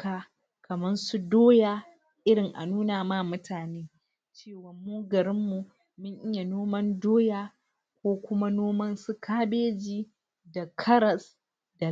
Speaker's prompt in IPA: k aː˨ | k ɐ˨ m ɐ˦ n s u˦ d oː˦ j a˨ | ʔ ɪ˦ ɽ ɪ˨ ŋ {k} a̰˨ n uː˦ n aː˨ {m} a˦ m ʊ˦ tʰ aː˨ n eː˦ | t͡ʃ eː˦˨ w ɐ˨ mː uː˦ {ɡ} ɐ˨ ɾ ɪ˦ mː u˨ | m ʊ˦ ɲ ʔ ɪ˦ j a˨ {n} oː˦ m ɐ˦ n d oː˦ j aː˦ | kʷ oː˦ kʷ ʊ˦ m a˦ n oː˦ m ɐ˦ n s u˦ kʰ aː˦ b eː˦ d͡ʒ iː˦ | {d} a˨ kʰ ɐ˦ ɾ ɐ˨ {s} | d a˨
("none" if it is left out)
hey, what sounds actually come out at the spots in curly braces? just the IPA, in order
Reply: ʔ, m, ɡ, n, d, s

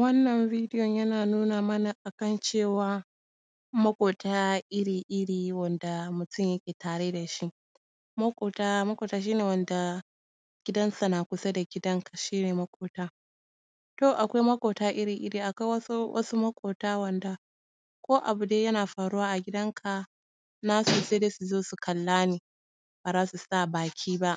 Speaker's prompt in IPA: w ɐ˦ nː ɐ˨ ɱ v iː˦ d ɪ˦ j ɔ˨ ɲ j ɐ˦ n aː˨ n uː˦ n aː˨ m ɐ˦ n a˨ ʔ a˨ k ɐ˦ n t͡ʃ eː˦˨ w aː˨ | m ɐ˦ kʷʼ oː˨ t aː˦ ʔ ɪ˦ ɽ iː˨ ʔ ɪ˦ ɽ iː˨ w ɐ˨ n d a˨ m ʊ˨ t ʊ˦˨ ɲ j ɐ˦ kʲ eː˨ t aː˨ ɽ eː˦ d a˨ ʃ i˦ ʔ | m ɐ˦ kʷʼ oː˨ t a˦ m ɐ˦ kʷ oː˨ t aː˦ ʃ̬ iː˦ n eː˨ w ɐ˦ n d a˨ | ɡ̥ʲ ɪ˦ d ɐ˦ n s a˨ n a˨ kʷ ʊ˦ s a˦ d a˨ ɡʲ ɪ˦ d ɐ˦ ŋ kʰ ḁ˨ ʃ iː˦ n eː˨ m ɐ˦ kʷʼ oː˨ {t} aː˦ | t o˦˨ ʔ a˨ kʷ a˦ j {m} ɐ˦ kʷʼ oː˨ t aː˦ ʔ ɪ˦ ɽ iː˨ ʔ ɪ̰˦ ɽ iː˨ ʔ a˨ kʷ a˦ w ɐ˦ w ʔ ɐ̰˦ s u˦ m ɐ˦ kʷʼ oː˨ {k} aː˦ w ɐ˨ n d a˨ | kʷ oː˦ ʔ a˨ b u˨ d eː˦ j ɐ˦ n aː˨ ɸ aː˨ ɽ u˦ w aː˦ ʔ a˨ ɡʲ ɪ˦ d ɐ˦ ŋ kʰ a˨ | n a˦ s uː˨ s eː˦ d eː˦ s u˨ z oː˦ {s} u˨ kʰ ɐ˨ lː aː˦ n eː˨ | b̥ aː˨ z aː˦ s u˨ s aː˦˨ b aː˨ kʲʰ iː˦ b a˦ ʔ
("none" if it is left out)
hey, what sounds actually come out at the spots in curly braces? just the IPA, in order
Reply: t, m, t, s

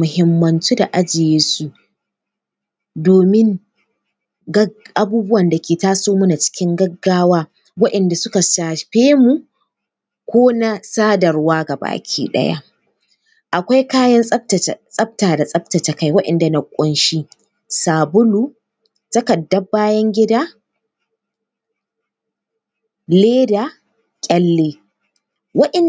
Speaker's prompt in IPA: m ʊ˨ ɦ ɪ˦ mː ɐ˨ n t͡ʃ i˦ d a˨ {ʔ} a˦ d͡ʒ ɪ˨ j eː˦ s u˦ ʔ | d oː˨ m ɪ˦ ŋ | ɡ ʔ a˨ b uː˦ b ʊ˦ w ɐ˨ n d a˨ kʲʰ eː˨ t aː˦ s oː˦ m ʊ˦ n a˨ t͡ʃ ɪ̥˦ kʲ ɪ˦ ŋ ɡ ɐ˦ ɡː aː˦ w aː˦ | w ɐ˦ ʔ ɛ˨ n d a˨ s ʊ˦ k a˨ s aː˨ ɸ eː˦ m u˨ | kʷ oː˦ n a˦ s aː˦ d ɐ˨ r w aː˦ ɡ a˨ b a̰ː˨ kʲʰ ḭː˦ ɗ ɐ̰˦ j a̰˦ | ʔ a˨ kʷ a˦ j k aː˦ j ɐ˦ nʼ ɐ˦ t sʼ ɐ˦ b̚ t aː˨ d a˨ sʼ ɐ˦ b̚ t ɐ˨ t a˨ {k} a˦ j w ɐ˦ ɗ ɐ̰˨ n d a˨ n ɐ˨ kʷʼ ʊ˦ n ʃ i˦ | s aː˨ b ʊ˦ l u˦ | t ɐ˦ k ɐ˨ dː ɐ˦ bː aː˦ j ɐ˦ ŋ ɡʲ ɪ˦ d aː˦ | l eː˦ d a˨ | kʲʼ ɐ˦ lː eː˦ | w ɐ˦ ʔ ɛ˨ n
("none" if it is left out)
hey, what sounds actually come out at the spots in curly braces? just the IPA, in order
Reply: ʔ, k

